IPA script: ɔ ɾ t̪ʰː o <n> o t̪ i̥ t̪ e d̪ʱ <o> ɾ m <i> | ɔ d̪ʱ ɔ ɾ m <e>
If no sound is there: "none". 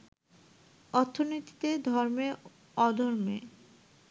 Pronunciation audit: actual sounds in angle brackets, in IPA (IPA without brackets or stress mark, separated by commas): n, ɔ, e, e